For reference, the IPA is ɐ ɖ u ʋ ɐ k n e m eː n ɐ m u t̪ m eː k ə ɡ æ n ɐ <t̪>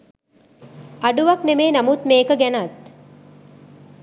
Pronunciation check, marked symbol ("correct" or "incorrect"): correct